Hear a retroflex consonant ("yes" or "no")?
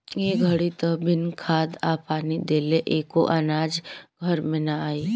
yes